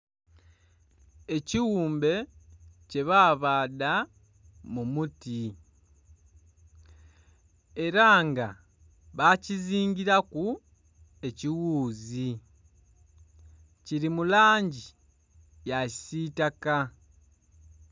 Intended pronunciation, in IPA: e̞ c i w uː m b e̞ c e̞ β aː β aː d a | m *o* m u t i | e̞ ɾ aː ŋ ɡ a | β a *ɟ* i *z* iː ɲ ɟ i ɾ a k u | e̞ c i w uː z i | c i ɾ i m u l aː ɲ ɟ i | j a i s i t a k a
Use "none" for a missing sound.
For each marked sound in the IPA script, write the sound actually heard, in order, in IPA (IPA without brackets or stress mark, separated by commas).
u, c, z